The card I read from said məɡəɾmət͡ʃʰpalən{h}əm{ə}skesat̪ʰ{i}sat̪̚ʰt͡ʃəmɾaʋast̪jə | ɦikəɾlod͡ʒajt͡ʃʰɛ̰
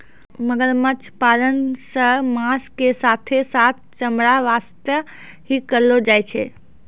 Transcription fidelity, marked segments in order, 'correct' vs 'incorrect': incorrect: s, incorrect: a, incorrect: e

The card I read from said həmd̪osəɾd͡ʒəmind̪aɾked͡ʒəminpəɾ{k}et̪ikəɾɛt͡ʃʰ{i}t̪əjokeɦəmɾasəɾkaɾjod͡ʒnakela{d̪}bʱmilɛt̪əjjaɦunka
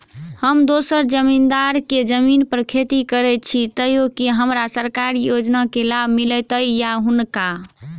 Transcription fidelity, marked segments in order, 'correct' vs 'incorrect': incorrect: kʰ, correct, incorrect: none

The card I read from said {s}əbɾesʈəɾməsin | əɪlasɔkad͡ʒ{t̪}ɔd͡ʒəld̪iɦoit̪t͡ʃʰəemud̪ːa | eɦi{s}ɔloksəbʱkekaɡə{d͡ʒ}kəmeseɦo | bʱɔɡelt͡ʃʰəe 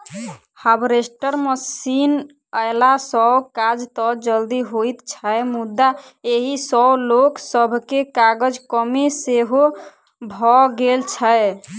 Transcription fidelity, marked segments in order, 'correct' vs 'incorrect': incorrect: h, correct, correct, correct

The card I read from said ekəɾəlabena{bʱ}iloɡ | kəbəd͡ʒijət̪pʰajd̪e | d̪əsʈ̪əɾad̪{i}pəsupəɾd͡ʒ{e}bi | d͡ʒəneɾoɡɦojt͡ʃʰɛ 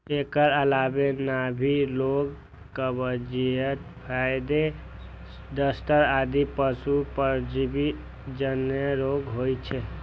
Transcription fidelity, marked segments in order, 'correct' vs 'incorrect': correct, correct, incorrect: i

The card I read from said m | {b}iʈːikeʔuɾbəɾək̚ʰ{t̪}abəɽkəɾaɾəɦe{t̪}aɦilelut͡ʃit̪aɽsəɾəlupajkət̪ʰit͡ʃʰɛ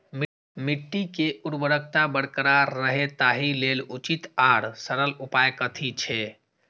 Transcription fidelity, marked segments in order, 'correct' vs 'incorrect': incorrect: m, correct, correct

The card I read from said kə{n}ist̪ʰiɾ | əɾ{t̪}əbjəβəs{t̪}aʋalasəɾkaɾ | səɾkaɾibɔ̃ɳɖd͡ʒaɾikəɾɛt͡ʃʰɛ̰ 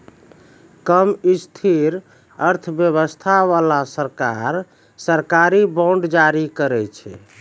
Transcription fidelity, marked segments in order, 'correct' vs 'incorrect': incorrect: m, incorrect: t̪ʰ, incorrect: t̪ʰ

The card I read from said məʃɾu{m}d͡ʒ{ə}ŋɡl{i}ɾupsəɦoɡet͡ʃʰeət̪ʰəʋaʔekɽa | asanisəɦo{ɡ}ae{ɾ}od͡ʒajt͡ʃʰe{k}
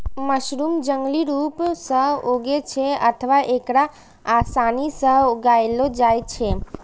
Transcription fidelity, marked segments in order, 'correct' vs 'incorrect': correct, correct, correct, correct, incorrect: l, incorrect: none

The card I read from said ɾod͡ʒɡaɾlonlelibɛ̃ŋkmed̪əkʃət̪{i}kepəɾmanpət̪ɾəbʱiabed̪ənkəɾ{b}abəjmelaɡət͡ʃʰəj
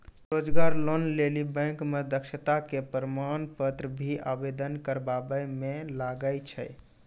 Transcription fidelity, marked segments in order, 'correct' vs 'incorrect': incorrect: a, correct

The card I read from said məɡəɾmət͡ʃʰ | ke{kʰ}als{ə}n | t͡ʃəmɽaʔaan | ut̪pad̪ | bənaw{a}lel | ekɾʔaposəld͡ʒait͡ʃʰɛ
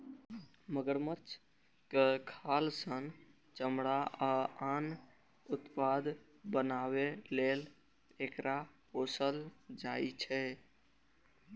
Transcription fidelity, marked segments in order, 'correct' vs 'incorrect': correct, correct, incorrect: e

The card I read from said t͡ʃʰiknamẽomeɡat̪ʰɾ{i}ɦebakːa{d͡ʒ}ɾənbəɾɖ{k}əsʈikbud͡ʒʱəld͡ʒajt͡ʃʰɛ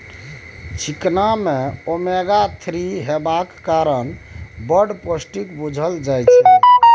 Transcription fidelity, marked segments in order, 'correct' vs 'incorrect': correct, incorrect: none, incorrect: p

